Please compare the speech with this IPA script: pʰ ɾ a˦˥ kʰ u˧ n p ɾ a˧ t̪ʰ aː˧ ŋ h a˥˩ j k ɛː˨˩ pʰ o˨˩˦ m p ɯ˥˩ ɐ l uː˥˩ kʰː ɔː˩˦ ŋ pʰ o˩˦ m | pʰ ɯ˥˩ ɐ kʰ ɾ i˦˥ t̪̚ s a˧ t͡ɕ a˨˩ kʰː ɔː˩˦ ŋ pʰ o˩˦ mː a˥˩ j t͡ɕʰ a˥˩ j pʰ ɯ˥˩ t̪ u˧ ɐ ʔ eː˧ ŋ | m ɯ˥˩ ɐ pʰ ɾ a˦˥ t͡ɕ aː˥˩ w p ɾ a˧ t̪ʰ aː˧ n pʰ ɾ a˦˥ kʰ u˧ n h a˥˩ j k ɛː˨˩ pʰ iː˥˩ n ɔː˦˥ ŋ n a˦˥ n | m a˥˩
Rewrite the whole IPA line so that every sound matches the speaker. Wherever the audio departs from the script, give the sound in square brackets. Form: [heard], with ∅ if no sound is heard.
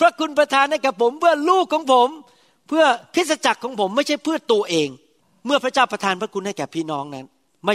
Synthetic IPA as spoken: pʰ ɾ a˦˥ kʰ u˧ n p ɾ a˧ t̪ʰ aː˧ [n] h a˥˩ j k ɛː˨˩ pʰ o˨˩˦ m p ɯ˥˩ ɐ l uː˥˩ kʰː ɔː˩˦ ŋ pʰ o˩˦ m | pʰ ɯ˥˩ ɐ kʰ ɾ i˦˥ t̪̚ s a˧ t͡ɕ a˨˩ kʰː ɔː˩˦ ŋ pʰ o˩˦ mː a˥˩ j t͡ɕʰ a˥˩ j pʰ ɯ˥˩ t̪ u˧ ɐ ʔ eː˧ ŋ | m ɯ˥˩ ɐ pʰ ɾ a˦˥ t͡ɕ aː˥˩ w p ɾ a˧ t̪ʰ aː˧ n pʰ ɾ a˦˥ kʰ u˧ n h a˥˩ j k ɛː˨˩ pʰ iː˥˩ n ɔː˦˥ ŋ n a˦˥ n | m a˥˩